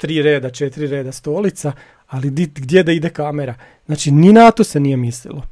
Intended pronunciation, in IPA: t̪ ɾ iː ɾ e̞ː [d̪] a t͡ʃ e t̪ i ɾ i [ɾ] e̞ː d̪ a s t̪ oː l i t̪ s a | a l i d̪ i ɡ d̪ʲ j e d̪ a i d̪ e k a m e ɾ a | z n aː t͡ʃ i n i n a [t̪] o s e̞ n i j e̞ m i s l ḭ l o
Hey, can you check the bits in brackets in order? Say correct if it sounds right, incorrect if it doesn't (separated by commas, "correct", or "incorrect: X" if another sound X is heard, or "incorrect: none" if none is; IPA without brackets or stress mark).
correct, correct, correct